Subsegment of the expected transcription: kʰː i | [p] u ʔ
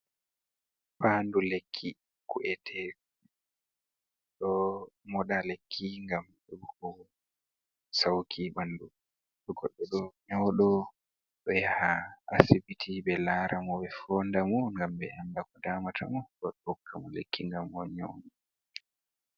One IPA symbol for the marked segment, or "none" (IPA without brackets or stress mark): k